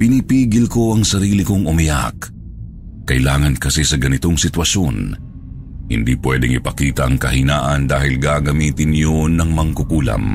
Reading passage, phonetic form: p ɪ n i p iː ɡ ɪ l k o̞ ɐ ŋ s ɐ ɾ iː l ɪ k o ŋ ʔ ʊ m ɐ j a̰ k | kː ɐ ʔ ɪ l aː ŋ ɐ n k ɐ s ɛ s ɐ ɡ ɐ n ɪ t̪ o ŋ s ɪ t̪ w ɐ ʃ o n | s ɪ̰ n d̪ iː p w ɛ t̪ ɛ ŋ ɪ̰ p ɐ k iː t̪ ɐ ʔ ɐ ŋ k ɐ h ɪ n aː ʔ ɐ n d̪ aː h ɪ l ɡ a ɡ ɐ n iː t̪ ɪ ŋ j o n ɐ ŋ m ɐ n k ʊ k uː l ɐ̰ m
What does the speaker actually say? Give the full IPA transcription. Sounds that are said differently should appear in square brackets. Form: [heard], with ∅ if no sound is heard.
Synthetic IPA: p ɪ n i p iː ɡ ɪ l k o̞ ɐ ŋ s ɐ ɾ iː l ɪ k o ŋ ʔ ʊ m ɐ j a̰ k | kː ɐ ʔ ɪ l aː ŋ ɐ n k ɐ s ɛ s ɐ ɡ ɐ n ɪ t̪ o ŋ s ɪ t̪ w ɐ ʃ o n | [h] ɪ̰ n d̪ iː p w ɛ [d̪] ɛ ŋ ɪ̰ p ɐ k iː t̪ ɐ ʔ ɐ ŋ k ɐ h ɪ n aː ʔ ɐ n d̪ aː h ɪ l ɡ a ɡ ɐ [m] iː t̪ ɪ [n] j o n ɐ ŋ m ɐ [ŋ] k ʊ k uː l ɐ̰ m